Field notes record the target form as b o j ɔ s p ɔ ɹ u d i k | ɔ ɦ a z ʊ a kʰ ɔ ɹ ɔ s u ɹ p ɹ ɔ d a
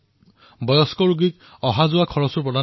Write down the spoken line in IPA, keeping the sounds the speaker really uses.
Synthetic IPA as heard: b ɔ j ɔ s k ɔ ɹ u ɡ i k | ɔ ɦ a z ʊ a kʰ ɔ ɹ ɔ s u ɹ p ɹ ɔ d a